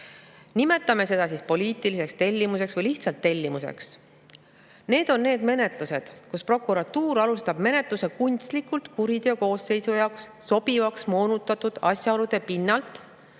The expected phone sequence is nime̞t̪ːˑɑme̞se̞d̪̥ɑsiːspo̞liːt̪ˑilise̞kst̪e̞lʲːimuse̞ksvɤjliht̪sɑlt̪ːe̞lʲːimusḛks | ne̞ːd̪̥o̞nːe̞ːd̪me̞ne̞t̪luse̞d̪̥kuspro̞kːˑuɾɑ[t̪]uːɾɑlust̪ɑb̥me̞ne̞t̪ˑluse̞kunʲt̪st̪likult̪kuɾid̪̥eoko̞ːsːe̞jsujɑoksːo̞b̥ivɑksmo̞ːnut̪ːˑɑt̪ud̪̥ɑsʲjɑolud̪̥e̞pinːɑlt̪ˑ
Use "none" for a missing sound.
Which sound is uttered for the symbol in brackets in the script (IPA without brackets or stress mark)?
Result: t̪